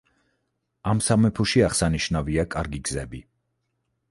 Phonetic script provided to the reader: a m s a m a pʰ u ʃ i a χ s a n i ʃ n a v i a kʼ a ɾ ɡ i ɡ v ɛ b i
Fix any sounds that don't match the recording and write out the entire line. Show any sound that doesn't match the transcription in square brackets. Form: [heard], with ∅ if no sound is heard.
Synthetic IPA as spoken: a m s a m [ɛ] pʰ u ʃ i a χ s a n i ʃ n a v i a kʼ a ɾ ɡ i ɡ [z] ɛ b i